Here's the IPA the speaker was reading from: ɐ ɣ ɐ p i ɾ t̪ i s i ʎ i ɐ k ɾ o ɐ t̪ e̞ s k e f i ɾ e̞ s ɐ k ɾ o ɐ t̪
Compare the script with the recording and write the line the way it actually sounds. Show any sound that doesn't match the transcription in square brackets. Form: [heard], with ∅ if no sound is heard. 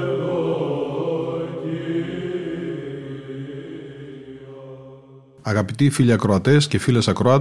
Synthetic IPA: ɐ ɣ ɐ p i [∅] t̪ i [f] i ʎ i ɐ k ɾ o ɐ t̪ e̞ s [c] e f i [l] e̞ s ɐ k ɾ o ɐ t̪